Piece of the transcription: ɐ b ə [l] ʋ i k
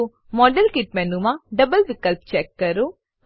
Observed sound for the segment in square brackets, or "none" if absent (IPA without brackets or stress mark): l